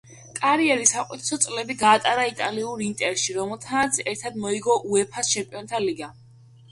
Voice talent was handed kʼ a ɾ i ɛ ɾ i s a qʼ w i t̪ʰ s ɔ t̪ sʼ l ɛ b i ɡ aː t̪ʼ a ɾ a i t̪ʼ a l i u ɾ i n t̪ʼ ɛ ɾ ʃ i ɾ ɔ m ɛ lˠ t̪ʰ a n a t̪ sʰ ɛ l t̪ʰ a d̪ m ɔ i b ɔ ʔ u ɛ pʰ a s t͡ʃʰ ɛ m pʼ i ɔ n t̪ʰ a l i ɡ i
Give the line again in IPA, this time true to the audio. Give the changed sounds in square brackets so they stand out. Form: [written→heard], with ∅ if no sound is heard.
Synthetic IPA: kʼ a ɾ i ɛ ɾ i s a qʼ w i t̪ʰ s ɔ t̪ sʼ l ɛ b i ɡ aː t̪ʼ a ɾ a i t̪ʼ a l i u ɾ i n t̪ʼ ɛ ɾ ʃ i ɾ ɔ m ɛ lˠ t̪ʰ a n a t̪ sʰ ɛ [l→ɾ] t̪ʰ a d̪ m ɔ i [b→ɡ] ɔ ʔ u ɛ pʰ a s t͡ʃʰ ɛ m pʼ i ɔ n t̪ʰ a l i ɡ [i→a]